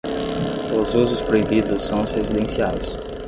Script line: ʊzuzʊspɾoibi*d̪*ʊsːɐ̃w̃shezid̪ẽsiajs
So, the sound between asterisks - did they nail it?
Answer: yes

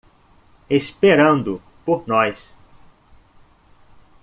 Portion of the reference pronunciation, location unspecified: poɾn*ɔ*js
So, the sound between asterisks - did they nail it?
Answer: yes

